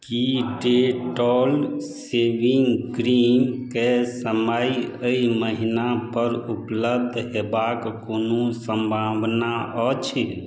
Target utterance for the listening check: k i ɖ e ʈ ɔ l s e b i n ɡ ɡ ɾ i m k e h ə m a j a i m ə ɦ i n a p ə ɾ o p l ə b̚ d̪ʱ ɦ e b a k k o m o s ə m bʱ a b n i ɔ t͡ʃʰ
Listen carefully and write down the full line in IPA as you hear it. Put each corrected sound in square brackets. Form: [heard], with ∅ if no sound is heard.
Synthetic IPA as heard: k i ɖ e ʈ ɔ l s e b i [ŋ] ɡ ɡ ɾ i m k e [s] ə m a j [ə] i m ə ɦ i n a p ə ɾ [u] p l ə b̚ d̪ʱ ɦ e b a k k o [n] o s ə m bʱ a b n [a] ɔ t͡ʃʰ